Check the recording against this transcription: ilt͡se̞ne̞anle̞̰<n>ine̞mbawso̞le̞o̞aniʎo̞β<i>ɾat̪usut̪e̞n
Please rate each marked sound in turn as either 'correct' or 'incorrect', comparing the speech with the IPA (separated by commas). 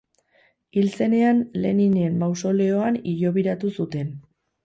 correct, correct